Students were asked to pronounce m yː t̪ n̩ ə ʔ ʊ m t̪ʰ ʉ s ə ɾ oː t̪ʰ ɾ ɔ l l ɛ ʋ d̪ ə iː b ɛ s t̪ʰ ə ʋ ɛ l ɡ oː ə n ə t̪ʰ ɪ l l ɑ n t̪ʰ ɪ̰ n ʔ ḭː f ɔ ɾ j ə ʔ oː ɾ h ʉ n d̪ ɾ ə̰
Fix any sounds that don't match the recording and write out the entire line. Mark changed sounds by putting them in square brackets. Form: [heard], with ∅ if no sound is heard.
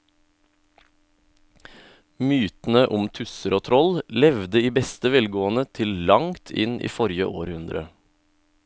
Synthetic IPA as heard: m yː t̪ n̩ ə ʔ ʊ m t̪ʰ ʉ s ə ɾ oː t̪ʰ ɾ ɔ l l ɛ ʋ d̪ ə iː b ɛ s [t̪] ə ʋ ɛ l ɡ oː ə n ə t̪ʰ ɪ l l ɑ [ŋ] t̪ʰ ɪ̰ n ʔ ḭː f ɔ ɾ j ə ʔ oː ɾ h ʉ n d̪ ɾ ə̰